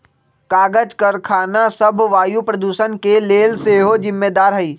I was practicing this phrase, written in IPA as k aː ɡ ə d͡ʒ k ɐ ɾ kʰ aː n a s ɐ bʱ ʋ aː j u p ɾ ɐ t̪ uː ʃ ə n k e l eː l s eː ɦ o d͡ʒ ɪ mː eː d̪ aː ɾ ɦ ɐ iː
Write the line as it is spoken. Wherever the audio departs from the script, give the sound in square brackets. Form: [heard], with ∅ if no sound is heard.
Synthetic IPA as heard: k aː ɡ ə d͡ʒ k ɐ ɾ kʰ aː n a s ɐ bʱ ʋ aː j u p ɾ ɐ [d̪] uː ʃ ə n k e l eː l s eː ɦ o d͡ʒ ɪ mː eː d̪ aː ɾ ɦ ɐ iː

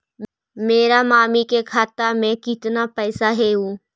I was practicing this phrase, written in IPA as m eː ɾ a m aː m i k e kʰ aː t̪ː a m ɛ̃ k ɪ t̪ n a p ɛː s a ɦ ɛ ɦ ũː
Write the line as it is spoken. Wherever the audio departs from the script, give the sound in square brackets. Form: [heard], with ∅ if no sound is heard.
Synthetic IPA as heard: m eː ɾ a m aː m i k e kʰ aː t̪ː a m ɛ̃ k ɪ t̪ n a p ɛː s a ɦ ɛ ɦ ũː

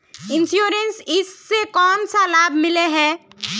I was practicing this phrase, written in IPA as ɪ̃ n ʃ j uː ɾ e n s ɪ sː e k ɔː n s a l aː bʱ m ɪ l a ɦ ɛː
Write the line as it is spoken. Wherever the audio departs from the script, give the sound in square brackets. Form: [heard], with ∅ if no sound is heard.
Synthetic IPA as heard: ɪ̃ n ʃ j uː ɾ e n s ɪ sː e k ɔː n s a l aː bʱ m ɪ l [e] ɦ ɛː

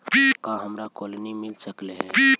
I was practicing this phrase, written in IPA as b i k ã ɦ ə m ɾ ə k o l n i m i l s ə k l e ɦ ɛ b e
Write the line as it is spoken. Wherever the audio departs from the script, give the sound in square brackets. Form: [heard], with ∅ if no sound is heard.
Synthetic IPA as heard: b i k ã ɦ ə m ɾ [a] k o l n i m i l s ə k l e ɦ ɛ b [i]

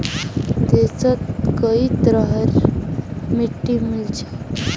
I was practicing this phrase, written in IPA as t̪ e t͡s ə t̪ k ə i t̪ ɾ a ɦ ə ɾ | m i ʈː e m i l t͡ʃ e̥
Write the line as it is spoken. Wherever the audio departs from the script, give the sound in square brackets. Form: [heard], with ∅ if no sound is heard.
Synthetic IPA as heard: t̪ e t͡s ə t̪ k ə i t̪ ɾ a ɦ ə ɾ | m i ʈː [i] m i l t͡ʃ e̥

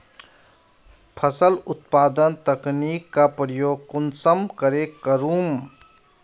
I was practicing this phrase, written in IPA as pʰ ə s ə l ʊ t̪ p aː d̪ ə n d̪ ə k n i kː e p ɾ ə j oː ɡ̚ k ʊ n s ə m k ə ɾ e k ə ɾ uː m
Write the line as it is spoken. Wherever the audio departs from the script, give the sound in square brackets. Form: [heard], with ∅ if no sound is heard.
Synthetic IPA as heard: pʰ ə s ə l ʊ t̪ p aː d̪ ə n [t̪] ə k n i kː [a] p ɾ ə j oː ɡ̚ k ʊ n s ə m k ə ɾ e k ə ɾ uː m

